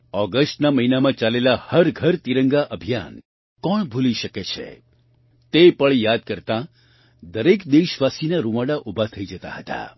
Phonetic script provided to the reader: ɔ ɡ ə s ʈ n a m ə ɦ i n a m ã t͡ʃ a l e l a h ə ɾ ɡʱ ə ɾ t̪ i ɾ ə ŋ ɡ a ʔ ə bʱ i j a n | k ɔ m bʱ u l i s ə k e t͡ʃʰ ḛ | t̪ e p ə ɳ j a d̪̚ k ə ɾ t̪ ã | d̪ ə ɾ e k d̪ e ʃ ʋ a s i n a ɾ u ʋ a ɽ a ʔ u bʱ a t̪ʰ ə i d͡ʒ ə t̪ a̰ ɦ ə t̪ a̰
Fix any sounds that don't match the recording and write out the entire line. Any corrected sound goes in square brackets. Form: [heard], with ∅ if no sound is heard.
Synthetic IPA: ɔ ɡ ə s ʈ n a m ə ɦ i n a m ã t͡ʃ a l e l a h ə ɾ ɡʱ ə ɾ t̪ i ɾ ə ŋ ɡ a ʔ ə bʱ i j a n | k ɔ [ɳ] bʱ u l i [ʃ] ə k e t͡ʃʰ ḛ | t̪ e p ə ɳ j a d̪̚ k ə ɾ t̪ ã | d̪ ə ɾ e k d̪ e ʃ ʋ a s i n a ɾ u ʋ a ɽ a ʔ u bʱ a t̪ʰ ə i d͡ʒ ə t̪ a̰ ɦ ə t̪ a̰